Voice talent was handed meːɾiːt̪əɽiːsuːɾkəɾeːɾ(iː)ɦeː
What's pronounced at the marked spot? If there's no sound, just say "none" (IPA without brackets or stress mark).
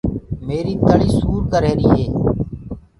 iː